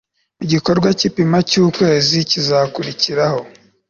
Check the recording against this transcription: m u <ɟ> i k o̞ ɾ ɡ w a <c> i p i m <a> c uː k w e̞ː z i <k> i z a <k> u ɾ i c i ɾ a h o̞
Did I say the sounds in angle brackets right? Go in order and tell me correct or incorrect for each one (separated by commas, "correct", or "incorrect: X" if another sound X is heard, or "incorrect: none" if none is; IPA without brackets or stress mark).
correct, correct, correct, incorrect: c, correct